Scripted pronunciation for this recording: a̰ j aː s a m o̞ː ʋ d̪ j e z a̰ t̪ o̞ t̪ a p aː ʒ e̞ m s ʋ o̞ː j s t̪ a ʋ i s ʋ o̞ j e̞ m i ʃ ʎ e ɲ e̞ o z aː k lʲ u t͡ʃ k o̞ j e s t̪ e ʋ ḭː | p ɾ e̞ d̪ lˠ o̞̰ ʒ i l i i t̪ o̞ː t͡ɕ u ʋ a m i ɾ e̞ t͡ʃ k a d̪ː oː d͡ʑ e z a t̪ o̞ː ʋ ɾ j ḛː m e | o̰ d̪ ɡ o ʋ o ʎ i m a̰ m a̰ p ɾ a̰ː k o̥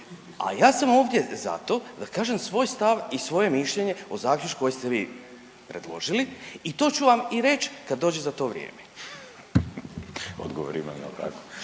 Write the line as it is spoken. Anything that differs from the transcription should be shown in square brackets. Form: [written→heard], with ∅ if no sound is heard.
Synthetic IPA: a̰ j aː s a m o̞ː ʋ d̪ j e z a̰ t̪ o̞ [t̪→d̪] a [p→k] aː ʒ e̞ m s ʋ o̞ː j s t̪ a ʋ i s ʋ o̞ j e̞ m i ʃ ʎ e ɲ e̞ o z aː k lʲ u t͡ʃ k o̞ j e s t̪ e ʋ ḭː | p ɾ e̞ d̪ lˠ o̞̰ ʒ i l i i t̪ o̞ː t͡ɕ u ʋ a m i ɾ e̞ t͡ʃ k a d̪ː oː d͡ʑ e z a t̪ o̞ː ʋ ɾ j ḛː m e | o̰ d̪ ɡ o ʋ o [ʎ→ɾ] i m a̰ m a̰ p ɾ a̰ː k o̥